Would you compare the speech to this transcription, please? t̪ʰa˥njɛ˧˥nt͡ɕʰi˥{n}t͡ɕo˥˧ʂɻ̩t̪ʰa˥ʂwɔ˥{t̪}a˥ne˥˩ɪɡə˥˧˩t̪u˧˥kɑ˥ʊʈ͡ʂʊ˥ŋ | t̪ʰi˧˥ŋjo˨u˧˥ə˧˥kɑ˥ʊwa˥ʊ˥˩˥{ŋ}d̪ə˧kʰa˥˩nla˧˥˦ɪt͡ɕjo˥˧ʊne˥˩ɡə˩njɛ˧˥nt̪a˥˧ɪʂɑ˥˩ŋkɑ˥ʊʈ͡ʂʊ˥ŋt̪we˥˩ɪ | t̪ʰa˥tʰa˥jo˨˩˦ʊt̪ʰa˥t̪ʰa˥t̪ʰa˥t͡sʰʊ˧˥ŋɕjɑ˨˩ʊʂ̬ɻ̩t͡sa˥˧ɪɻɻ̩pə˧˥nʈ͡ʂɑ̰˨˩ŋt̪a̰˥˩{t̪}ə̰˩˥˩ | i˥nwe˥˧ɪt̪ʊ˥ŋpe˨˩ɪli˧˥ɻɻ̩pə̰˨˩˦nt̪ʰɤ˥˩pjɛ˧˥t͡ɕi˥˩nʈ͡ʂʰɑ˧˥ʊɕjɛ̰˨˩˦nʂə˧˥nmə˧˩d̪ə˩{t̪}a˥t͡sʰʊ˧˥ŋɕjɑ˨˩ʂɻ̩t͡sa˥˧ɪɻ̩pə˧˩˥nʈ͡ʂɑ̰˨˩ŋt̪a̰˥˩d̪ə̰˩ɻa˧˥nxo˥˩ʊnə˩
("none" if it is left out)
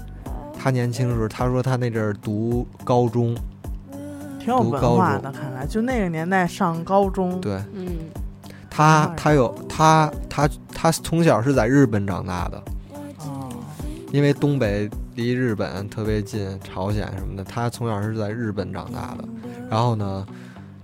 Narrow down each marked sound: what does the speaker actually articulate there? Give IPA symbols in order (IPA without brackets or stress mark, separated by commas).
ŋ, t̪ʰ, ŋ, d̪, t̪ʰ